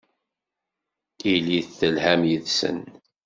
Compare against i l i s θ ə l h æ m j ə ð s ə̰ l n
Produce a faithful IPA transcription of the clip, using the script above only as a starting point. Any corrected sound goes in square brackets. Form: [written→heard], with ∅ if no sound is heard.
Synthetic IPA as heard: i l i [s→θ] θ ə l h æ m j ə ð s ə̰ [l→∅] n